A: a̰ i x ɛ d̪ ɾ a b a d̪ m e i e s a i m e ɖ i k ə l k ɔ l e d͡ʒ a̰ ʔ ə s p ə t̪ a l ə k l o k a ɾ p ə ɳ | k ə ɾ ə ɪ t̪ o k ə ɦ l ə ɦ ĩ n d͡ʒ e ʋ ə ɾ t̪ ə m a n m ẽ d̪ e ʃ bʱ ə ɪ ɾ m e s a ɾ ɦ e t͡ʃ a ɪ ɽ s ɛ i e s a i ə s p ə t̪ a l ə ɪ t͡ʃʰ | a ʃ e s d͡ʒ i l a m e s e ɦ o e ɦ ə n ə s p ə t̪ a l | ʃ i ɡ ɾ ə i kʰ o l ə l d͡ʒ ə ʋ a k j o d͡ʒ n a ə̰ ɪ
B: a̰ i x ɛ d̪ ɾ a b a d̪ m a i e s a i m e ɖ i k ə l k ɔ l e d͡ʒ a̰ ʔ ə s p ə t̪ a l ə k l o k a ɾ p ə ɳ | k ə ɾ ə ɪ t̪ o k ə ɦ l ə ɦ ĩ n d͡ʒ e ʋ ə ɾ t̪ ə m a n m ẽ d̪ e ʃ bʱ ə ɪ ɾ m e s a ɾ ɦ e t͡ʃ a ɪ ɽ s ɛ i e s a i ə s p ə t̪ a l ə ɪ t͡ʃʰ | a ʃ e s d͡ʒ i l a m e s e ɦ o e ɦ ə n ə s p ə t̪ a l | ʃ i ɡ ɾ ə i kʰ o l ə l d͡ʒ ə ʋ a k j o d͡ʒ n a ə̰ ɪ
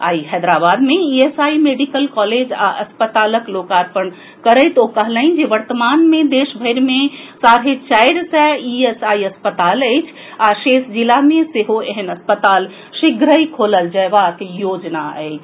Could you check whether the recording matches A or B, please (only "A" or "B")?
A